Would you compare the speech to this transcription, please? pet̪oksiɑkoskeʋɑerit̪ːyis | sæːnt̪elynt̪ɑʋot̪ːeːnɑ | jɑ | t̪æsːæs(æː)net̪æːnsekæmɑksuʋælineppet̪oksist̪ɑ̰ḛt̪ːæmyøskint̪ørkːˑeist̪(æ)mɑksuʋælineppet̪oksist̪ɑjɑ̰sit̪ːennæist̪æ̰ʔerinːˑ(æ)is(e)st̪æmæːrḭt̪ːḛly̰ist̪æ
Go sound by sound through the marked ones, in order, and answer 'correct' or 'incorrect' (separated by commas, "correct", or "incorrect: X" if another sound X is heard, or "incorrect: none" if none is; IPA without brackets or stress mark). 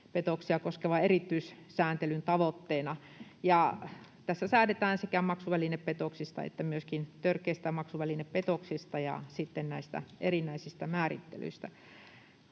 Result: correct, correct, correct, incorrect: i